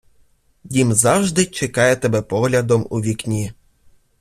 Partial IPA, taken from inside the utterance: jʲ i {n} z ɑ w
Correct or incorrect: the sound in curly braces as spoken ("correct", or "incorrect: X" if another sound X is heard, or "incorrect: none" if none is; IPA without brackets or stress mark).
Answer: incorrect: m